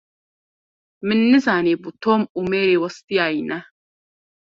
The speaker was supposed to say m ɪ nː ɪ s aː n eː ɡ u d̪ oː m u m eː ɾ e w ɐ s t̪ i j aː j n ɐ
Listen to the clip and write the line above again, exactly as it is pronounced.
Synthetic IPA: m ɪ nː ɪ z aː n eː b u t̪ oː m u m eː ɾ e w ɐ s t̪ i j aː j n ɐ